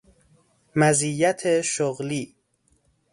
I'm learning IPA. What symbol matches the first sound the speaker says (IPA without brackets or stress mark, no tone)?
m